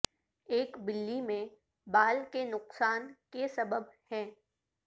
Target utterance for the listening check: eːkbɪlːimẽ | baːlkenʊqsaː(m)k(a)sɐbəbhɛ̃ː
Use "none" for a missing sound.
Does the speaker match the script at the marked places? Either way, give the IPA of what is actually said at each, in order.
n, e

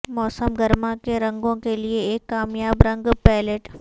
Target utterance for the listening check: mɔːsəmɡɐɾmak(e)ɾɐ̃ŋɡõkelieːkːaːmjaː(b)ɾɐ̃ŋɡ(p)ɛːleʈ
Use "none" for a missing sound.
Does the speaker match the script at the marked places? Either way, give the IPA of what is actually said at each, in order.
e, b, p

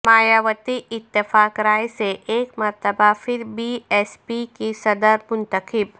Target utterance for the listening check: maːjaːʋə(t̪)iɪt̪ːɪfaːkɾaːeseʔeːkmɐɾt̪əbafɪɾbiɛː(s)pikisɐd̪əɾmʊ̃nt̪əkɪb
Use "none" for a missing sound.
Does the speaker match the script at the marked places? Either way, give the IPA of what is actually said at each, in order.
t̪, s

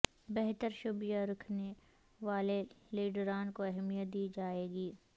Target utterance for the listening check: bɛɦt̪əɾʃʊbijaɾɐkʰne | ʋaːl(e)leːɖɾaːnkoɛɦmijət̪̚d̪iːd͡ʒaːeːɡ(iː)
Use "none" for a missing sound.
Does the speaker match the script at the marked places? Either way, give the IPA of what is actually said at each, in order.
e, iː

